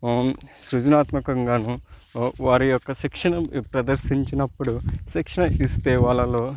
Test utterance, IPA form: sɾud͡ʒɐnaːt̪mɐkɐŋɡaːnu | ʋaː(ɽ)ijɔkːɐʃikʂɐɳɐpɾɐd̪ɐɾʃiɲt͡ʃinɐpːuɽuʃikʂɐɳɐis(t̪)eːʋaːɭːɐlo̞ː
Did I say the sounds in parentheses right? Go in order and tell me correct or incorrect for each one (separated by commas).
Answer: incorrect, correct